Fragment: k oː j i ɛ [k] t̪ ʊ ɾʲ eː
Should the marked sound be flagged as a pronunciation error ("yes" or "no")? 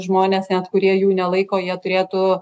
yes